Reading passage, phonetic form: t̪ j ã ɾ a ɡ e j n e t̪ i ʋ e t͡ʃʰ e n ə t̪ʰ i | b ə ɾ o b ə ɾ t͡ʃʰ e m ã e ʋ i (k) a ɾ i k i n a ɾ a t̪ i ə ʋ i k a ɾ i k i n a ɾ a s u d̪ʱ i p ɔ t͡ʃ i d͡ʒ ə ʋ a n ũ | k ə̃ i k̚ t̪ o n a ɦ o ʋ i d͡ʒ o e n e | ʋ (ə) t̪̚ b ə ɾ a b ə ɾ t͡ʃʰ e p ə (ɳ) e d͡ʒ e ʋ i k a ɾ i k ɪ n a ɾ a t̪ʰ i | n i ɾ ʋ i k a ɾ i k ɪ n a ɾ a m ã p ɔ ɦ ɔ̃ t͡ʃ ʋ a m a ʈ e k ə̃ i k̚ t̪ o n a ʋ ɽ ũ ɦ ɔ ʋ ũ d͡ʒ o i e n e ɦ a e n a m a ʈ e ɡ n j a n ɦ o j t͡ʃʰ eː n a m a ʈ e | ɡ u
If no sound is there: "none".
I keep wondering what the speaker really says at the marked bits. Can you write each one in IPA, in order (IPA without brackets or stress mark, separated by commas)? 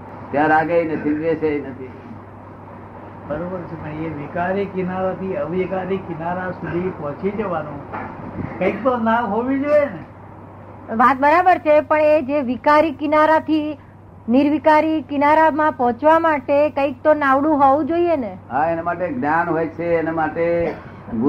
k, a, ɳ